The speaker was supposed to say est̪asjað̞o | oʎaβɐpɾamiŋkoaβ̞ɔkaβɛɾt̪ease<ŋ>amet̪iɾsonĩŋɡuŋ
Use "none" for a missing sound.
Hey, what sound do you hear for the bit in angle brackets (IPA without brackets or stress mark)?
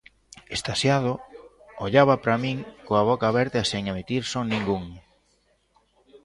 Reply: ŋ